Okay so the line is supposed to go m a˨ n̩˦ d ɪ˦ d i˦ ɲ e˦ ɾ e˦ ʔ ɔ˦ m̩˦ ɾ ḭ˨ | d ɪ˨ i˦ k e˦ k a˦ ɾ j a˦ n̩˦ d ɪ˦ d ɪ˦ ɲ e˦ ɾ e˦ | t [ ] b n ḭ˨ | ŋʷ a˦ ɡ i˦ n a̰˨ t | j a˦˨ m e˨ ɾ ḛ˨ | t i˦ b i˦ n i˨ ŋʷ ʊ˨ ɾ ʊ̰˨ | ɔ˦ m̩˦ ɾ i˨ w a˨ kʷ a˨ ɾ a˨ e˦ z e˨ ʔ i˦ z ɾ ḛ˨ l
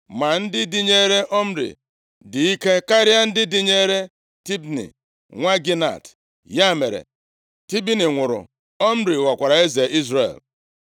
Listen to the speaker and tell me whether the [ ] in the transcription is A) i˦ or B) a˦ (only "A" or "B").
A